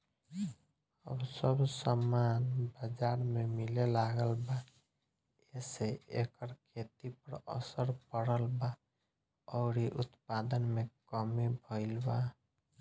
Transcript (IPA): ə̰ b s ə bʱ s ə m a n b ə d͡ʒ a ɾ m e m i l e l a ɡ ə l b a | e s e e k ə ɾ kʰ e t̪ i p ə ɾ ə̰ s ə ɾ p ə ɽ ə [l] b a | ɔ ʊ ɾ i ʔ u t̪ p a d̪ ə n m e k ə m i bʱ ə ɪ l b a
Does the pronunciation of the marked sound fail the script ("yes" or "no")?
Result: no